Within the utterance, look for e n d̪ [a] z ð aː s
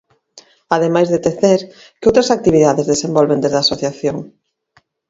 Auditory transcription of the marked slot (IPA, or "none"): e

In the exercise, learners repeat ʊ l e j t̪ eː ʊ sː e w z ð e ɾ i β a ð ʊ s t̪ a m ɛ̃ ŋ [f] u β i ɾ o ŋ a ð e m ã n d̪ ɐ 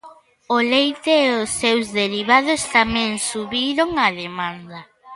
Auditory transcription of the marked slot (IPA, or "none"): s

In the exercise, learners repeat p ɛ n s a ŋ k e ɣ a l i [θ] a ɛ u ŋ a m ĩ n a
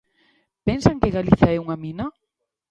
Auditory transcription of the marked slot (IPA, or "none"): θ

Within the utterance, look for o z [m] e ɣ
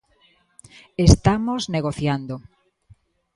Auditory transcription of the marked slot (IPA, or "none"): n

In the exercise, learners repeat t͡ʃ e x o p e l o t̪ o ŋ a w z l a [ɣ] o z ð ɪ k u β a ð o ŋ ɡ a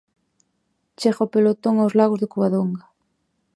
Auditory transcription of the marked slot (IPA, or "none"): ɣ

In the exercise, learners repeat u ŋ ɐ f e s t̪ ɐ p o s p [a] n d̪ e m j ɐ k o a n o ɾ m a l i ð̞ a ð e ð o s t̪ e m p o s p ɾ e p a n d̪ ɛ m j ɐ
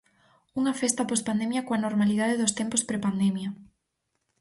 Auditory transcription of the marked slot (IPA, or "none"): a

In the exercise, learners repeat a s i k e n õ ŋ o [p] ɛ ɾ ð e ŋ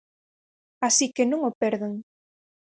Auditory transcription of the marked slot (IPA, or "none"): p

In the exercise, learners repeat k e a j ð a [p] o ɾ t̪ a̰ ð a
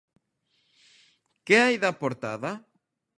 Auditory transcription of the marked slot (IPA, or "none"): p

